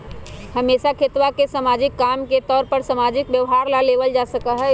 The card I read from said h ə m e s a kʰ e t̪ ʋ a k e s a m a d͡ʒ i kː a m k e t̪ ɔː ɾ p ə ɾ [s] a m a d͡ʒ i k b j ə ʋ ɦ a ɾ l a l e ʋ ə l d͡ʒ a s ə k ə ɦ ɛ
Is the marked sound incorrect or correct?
correct